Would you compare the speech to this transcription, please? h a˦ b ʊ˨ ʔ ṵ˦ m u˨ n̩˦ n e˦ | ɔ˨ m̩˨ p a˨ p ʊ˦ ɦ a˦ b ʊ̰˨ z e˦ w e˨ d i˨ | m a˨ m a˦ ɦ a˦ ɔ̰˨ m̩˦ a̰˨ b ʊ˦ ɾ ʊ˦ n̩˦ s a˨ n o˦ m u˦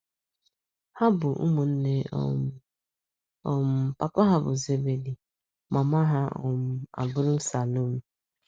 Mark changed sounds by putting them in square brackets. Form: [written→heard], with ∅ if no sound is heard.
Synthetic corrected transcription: h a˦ b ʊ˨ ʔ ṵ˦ m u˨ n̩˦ n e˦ | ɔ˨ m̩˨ p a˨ p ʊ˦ ɦ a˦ b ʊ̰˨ z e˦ [w→b] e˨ d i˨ | m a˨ m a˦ ɦ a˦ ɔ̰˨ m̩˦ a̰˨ b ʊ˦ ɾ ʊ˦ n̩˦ s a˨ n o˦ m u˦